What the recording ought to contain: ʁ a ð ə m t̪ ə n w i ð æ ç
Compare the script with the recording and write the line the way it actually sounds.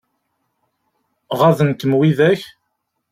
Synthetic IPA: ʁ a ð ə n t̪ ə m w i ð æ ç